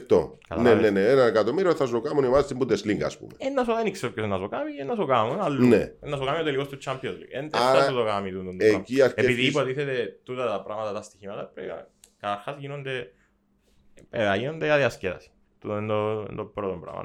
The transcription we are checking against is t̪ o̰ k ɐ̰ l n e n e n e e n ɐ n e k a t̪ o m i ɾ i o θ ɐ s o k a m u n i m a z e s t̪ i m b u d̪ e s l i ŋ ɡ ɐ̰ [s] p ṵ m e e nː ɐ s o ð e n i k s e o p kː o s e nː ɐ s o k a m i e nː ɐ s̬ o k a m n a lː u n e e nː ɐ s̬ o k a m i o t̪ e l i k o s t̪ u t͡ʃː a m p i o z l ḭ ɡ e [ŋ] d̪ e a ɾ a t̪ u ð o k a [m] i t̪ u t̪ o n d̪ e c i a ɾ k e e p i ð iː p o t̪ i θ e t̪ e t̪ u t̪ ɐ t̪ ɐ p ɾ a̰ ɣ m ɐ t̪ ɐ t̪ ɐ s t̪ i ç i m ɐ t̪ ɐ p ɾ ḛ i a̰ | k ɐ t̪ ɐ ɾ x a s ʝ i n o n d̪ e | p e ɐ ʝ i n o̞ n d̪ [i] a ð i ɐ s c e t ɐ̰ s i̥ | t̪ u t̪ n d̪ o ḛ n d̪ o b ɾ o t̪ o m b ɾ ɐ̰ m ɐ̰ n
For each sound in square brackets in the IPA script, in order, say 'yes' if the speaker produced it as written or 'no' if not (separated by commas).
yes, no, yes, no